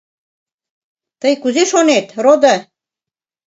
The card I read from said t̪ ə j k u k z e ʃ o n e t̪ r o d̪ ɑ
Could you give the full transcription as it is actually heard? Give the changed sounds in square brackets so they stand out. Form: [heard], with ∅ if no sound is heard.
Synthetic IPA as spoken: t̪ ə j k u [∅] z e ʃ o n e t̪ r o d̪ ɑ